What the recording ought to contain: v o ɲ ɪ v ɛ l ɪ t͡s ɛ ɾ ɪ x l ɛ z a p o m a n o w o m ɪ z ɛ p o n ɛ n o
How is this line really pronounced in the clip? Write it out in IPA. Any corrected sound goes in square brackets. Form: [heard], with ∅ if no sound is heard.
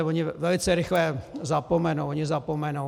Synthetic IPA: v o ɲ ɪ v ɛ l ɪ t͡s ɛ ɾ ɪ x l ɛ z a p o m [ɛ] n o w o [ɲ] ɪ z [a] p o [m] ɛ n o